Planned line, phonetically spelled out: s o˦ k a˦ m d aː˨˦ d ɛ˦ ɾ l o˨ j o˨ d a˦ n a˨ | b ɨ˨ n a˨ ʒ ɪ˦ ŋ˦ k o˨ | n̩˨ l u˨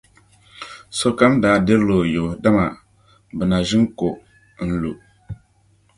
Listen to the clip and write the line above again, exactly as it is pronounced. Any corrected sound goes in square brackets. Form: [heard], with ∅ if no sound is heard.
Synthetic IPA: s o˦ k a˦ m d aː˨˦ d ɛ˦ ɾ l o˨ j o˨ d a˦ [m] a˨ | b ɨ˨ n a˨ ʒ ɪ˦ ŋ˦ k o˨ | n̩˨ l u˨